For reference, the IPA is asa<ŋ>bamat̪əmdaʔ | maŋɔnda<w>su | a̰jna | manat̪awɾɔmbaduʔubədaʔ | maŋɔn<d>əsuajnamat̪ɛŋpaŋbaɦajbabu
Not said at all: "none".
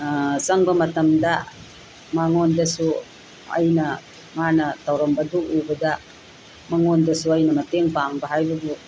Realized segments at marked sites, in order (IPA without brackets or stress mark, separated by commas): ŋ, none, d